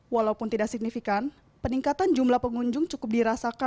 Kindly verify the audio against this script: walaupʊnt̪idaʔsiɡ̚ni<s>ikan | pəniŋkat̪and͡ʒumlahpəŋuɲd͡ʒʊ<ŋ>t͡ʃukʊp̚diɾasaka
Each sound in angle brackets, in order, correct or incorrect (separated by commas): incorrect, correct